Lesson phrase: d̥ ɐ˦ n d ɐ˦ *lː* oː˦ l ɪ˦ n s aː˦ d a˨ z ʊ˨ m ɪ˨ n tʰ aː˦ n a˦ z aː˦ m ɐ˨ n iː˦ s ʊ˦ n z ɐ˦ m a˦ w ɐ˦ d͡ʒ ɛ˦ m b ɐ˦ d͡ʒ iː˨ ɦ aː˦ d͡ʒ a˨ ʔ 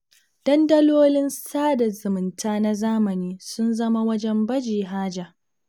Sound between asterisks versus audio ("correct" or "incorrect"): incorrect